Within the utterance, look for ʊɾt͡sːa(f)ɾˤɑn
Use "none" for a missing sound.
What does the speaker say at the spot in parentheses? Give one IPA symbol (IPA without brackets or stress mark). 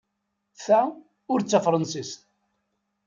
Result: f